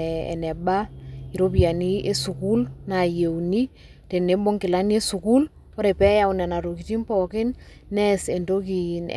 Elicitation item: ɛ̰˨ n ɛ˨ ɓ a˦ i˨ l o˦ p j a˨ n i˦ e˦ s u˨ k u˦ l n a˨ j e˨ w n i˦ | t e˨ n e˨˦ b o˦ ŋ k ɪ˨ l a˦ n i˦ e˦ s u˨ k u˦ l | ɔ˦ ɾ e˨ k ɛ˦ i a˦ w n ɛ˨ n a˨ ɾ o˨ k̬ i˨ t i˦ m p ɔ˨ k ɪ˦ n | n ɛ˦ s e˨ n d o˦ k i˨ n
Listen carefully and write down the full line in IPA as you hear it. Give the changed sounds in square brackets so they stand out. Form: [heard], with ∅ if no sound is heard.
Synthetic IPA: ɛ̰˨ n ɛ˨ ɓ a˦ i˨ [ɾ] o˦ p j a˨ n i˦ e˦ s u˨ k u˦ l n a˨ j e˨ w n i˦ | t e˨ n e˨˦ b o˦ ŋ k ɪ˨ l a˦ n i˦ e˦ s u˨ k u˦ l | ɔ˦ ɾ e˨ [p] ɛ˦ [j] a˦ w n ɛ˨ n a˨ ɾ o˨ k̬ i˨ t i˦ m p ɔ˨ k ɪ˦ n | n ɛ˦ s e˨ n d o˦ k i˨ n